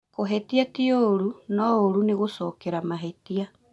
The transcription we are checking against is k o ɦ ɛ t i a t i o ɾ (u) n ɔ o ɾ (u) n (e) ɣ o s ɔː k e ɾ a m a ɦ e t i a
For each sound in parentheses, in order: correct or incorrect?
correct, correct, correct

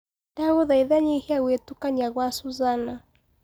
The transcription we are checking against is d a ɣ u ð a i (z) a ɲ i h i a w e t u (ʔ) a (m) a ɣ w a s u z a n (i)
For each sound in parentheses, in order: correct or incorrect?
incorrect, incorrect, incorrect, incorrect

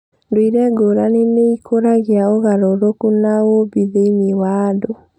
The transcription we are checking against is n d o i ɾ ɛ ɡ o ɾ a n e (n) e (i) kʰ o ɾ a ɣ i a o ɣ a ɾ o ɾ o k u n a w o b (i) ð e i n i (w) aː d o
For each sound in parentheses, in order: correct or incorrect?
correct, correct, correct, correct

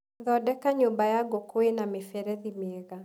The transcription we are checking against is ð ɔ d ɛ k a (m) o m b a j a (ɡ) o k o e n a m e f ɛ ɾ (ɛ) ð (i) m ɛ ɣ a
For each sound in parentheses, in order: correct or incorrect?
incorrect, correct, correct, correct

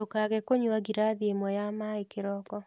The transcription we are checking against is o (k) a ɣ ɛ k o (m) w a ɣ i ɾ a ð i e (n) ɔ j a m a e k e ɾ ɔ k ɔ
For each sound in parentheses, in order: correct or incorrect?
correct, incorrect, incorrect

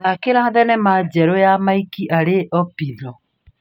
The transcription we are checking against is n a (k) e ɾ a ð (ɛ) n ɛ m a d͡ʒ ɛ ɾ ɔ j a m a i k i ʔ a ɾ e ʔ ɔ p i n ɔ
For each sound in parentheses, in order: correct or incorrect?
correct, correct

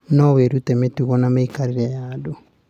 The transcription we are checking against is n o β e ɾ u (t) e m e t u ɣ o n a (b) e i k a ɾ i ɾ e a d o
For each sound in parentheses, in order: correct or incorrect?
correct, incorrect

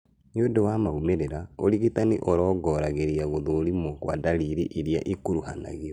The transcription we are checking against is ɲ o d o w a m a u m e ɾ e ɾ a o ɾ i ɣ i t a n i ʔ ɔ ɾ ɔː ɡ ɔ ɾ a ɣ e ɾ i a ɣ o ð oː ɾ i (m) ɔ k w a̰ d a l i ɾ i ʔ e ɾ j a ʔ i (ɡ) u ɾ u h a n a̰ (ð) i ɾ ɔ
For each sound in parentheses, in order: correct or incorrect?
correct, incorrect, incorrect

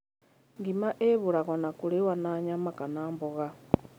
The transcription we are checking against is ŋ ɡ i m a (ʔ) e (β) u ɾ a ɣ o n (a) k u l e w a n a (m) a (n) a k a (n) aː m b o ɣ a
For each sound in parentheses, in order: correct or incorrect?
correct, correct, correct, incorrect, incorrect, correct

